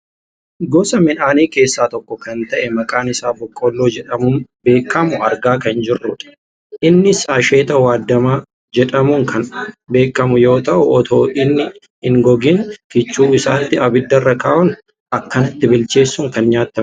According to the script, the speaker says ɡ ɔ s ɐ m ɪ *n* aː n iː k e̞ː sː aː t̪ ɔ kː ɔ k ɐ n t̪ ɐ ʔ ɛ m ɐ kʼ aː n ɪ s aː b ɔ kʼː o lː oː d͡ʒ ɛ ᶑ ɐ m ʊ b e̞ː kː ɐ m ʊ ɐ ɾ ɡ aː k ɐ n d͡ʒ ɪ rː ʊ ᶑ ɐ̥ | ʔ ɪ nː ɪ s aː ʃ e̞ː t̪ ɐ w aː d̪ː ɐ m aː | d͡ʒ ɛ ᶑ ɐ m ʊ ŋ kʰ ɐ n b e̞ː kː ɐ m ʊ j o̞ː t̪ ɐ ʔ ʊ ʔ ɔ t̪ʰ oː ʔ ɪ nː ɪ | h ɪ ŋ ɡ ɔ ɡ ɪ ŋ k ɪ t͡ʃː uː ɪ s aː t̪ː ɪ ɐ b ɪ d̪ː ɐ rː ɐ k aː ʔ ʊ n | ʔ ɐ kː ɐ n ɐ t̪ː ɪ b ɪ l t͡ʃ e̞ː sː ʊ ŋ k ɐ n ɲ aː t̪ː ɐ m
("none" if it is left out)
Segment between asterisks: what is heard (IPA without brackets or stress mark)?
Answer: n